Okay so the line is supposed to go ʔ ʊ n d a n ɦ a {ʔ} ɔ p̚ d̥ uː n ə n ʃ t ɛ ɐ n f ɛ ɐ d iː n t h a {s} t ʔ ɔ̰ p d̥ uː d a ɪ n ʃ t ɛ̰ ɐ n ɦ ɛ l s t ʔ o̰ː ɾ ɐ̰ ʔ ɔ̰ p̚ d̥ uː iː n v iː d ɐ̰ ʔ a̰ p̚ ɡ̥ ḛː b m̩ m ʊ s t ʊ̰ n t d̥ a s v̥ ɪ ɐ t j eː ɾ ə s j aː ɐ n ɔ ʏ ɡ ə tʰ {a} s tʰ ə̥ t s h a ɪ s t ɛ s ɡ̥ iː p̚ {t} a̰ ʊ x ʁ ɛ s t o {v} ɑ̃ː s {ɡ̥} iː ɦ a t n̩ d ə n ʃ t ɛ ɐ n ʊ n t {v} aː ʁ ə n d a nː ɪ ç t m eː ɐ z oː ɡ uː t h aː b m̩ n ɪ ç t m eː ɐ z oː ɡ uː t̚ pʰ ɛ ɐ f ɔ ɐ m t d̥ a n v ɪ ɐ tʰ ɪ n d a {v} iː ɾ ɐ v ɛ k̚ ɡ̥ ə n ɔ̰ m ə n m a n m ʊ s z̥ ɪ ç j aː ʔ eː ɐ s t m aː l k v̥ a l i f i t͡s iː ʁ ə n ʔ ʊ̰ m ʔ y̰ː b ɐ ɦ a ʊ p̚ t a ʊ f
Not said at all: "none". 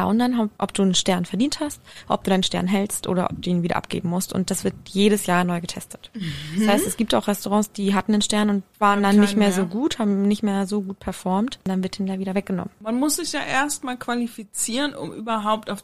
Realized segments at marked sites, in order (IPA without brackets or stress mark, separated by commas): ʔ, s, ɛ, t, ʁ, d̥, v, v